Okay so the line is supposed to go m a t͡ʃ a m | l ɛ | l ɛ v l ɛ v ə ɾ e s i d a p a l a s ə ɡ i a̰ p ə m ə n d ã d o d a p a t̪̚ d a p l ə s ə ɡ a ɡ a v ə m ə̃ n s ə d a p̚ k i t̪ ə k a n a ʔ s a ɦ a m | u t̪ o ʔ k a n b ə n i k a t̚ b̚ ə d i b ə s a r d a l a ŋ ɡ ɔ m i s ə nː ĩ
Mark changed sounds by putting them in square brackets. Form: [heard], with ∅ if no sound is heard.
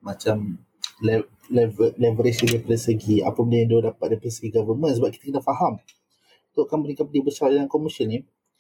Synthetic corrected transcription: m a t͡ʃ a m | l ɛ | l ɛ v l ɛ v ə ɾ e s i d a p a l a s ə ɡ i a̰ p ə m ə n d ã d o d a p a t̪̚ d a p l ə s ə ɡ [i] ɡ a v ə m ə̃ n s ə [b] a p̚ k i t̪ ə k [ə] n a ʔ [f] a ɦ a m | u t̪ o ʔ k a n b ə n i k a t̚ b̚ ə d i b ə s a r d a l a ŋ [k] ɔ m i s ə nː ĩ